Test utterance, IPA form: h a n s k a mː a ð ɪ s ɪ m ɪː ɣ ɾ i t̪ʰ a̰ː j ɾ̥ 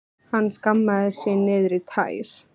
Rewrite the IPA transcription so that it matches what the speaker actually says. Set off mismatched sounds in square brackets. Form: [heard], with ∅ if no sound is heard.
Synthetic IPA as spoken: h a [nː] s k a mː a ð ɪ s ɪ [n] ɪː [ð] ɾ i t̪ʰ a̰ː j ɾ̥

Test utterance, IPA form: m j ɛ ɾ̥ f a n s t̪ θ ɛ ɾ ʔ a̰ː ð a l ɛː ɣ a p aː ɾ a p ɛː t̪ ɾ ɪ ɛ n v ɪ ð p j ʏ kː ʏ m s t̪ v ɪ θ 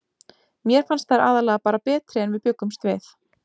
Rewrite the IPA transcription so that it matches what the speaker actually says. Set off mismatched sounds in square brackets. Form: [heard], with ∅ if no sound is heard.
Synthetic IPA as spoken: m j ɛ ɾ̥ f a n s t̪ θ [a] ɾ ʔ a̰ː ð a l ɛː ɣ a p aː ɾ a p ɛː t̪ ɾ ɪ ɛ n v ɪ ð p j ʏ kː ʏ m s t̪ v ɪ θ

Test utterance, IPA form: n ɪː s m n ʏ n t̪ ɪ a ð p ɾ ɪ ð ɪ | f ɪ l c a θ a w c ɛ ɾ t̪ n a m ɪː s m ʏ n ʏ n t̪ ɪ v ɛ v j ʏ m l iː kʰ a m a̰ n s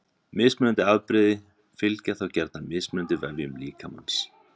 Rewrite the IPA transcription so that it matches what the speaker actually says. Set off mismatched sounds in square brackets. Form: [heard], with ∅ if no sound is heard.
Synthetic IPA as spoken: [m] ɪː s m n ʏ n t̪ ɪ a ð p ɾ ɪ ð ɪ | f ɪ l c a θ a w c ɛ ɾ t̪ n a m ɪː s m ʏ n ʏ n t̪ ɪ v ɛ v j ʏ m l iː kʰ a m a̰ n s

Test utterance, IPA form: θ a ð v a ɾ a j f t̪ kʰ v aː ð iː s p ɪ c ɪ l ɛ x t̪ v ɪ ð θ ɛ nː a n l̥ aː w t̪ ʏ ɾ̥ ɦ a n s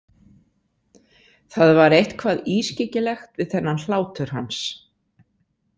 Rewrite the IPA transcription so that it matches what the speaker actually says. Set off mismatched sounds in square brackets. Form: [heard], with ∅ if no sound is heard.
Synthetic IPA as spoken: θ a ð v a ɾ [e] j [h] t̪ kʰ v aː ð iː s [c] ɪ c ɪ l ɛ x t̪ v ɪ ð θ ɛ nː a n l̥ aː w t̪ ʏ ɾ̥ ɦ a n s

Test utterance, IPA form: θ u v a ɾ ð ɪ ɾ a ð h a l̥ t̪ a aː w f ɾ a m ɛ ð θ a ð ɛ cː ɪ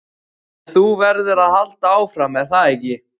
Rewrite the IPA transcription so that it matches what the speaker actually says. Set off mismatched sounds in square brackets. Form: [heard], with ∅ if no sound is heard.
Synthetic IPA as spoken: θ u v [ɛ] ɾ ð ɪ ɾ a ð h a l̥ t̪ a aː w f ɾ a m ɛ ð θ a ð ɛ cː ɪ

